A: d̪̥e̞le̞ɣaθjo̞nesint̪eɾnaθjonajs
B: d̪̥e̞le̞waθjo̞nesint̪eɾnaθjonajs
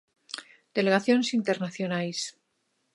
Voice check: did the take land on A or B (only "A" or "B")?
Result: A